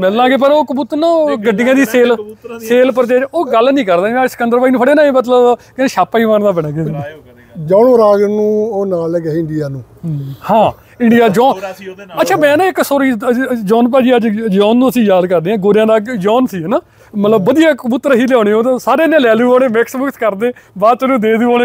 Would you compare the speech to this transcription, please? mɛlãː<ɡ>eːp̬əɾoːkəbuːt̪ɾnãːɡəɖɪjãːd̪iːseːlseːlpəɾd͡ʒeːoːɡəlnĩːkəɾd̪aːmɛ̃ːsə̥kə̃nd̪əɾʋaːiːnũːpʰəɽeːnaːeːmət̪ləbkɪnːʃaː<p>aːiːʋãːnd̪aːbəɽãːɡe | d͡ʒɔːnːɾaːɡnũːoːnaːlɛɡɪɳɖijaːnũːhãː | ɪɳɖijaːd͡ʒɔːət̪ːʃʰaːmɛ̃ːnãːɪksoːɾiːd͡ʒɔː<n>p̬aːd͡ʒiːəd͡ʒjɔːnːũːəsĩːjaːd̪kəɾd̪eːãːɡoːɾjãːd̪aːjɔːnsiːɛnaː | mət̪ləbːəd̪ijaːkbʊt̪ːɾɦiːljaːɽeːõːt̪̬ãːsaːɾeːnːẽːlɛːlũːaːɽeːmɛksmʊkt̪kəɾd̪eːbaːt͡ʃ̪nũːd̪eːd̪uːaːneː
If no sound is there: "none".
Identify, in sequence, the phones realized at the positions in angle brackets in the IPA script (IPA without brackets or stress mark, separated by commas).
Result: ɡ, p, n